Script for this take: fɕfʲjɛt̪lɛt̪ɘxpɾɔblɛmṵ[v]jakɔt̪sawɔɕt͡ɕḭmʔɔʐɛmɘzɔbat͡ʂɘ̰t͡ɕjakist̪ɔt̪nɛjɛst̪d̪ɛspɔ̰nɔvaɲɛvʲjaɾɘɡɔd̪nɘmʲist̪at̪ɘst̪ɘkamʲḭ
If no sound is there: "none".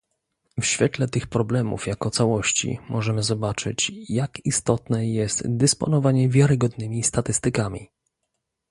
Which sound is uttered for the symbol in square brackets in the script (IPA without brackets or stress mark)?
f